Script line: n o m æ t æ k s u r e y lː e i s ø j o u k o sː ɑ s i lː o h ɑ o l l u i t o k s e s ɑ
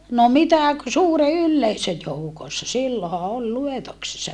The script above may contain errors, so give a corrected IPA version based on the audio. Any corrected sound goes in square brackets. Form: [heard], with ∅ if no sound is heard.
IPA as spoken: n o m [i] t æ k s [uː] r e y lː e i s ø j o u k o sː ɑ s i lː o h ɑ o l l u [e] t o k s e [sː] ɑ